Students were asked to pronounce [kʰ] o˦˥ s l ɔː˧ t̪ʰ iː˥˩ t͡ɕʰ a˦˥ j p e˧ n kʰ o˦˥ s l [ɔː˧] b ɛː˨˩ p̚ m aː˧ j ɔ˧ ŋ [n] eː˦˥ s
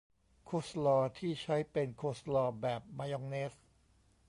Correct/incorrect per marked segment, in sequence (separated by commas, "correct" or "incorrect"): correct, correct, correct